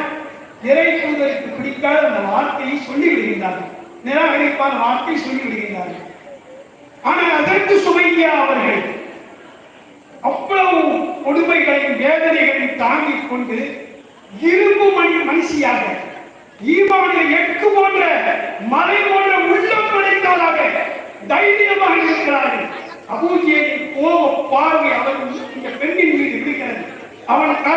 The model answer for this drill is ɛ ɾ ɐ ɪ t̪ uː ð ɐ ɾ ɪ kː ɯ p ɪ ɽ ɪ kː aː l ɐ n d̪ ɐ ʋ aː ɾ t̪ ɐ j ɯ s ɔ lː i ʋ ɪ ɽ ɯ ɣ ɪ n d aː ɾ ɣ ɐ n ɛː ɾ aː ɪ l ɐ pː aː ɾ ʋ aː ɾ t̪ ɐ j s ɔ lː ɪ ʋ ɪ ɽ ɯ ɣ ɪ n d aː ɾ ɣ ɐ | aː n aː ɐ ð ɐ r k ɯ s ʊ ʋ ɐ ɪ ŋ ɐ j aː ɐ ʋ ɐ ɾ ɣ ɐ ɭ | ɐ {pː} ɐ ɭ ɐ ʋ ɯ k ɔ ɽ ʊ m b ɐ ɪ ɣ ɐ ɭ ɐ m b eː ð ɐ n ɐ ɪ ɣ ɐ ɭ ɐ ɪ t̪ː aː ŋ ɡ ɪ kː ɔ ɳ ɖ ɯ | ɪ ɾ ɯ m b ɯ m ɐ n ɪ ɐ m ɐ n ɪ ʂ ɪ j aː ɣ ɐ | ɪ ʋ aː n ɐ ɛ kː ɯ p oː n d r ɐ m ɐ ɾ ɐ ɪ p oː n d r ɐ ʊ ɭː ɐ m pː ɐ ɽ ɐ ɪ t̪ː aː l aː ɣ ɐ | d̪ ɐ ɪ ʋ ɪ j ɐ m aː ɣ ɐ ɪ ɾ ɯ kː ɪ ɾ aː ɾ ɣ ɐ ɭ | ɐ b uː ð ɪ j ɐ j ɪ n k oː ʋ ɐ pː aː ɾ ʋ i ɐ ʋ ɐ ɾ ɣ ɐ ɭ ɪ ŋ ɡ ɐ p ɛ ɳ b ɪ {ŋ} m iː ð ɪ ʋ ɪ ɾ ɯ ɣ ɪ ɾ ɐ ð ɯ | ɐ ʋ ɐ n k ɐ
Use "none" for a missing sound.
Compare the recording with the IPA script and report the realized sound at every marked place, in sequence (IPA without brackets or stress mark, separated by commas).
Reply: pː, n